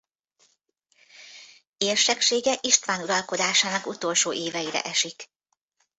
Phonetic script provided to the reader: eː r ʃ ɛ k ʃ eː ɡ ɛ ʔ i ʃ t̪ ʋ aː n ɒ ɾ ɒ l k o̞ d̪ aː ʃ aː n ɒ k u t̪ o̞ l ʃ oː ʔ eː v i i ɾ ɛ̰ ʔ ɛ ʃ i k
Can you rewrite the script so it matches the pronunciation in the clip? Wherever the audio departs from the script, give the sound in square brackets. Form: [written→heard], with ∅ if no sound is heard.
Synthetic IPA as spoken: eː r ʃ ɛ k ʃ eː ɡ ɛ ʔ i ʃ t̪ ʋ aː n [ɒ→u] ɾ ɒ l k o̞ d̪ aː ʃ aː n ɒ k u t̪ o̞ l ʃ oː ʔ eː v [i→ɛ] i ɾ ɛ̰ ʔ ɛ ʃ i k